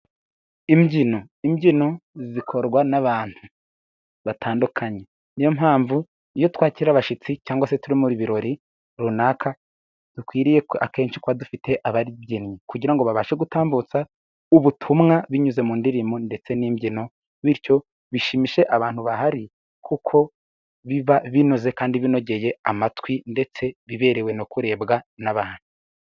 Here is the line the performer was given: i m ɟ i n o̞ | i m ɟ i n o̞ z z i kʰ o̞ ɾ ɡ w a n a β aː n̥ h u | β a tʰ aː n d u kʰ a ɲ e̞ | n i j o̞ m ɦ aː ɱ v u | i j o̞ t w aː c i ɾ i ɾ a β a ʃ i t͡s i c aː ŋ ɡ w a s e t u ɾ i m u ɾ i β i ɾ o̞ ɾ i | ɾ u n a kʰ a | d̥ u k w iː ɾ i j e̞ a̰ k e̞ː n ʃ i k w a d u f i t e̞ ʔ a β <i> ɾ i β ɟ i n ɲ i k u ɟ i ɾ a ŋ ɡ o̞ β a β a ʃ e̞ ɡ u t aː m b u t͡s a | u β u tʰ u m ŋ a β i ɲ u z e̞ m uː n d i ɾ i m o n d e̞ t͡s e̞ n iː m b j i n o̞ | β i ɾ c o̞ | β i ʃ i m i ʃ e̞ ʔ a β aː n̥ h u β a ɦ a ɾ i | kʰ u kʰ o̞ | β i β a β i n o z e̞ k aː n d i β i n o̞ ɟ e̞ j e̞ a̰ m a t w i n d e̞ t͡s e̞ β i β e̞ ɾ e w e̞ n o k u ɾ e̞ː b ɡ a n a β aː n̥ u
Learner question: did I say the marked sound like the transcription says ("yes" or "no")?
no